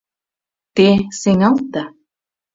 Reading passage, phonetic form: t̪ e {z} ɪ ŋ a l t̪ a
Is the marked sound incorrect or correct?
incorrect: s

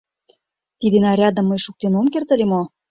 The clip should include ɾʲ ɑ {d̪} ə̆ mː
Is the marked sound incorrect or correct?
correct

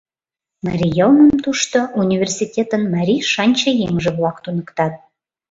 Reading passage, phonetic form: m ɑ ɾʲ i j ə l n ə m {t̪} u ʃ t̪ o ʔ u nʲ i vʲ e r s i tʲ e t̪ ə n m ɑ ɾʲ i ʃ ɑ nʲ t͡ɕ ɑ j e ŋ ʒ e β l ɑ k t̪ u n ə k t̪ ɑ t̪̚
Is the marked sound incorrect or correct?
correct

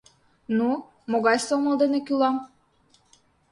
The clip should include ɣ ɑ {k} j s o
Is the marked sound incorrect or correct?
incorrect: none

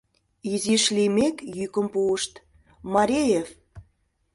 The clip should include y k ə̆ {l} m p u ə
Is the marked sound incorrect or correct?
incorrect: none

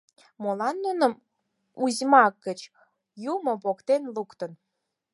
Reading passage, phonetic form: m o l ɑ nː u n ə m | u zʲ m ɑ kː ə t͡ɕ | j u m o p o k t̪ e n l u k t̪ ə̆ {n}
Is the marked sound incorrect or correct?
correct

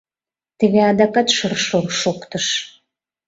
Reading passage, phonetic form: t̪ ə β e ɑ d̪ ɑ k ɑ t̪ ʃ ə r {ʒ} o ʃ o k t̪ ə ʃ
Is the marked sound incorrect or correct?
incorrect: ʃ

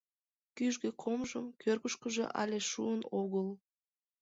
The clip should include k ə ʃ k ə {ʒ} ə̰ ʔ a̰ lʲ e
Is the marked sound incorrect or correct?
correct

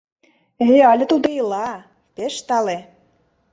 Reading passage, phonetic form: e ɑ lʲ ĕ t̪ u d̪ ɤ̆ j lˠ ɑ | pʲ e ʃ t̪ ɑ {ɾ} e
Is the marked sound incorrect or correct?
incorrect: l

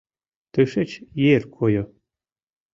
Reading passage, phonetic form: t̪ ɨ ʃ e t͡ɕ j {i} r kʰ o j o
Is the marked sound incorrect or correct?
incorrect: e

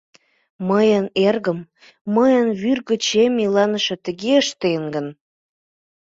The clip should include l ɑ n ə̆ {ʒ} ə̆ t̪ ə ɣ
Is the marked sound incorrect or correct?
incorrect: ʃ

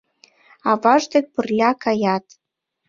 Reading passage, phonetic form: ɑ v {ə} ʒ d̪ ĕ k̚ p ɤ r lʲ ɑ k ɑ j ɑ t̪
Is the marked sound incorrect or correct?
incorrect: ɑ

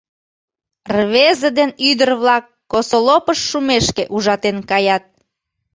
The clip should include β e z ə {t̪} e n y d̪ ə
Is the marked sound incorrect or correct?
incorrect: d̪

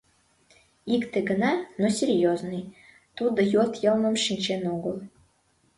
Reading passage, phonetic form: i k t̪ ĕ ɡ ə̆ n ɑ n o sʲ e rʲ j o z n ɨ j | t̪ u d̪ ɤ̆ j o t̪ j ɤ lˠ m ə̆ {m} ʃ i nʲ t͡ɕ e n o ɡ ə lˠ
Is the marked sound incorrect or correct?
correct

